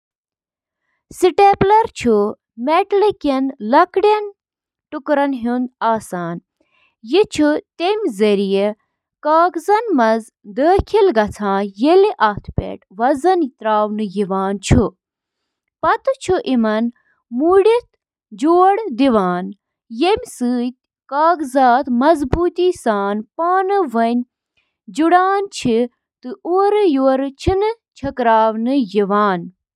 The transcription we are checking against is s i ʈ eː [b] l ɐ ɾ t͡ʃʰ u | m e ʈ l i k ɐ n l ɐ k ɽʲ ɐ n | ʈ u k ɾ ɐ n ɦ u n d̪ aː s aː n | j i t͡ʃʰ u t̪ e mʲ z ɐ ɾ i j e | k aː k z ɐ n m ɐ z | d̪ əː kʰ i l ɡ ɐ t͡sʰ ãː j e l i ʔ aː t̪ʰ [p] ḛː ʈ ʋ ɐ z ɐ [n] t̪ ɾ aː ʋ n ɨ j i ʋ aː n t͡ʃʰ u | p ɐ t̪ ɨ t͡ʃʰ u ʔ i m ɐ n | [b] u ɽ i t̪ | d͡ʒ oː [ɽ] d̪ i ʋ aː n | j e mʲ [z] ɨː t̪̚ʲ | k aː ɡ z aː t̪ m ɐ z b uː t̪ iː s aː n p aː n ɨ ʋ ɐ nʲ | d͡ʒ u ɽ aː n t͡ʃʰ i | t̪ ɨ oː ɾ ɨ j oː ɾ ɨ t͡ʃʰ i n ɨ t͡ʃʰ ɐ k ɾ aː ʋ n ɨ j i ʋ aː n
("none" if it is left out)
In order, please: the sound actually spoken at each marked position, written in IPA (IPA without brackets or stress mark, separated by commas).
p, p, n, m, ɽ, s